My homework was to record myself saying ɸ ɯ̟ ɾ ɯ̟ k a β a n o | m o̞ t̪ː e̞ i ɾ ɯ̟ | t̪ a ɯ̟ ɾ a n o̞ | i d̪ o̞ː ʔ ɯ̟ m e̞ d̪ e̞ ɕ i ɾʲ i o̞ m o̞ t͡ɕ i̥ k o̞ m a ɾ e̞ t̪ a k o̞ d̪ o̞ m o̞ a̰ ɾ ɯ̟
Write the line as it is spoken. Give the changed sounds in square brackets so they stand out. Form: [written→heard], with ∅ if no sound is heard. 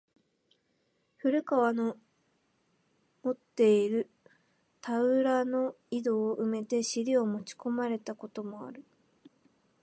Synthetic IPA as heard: ɸ ɯ̟ ɾ ɯ̟ k a β a n o | m o̞ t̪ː e̞ i ɾ ɯ̟ | t̪ a ɯ̟ ɾ a n o̞ | i d̪ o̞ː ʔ ɯ̟ m e̞ [d̪→t̪] e̞ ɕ i ɾʲ i o̞ m o̞ t͡ɕ i̥ k o̞ m a ɾ e̞ t̪ a k o̞ [d̪→t̪] o̞ m o̞ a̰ ɾ ɯ̟